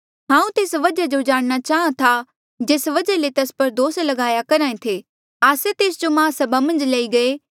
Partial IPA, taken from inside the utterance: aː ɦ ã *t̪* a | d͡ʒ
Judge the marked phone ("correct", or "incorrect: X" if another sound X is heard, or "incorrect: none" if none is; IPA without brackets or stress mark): incorrect: t̪ʰ